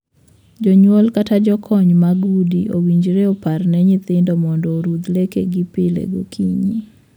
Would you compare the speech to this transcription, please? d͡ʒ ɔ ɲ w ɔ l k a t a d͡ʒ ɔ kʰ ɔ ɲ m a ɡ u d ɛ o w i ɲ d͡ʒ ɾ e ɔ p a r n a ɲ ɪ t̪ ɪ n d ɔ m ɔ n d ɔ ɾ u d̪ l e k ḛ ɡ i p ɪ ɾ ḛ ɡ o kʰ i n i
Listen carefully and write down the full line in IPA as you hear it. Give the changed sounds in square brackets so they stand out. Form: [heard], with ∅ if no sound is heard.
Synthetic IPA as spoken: d͡ʒ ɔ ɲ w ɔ l k a t a d͡ʒ ɔ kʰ ɔ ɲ m a ɡ u d [i] o w i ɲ d͡ʒ ɾ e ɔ p a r n [ɛ] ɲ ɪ t̪ ɪ n d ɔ m ɔ n d ɔ ɾ u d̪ l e k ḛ ɡ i p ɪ [l] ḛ ɡ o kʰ i [ɲ] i